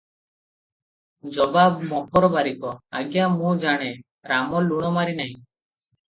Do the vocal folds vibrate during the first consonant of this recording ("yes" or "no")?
yes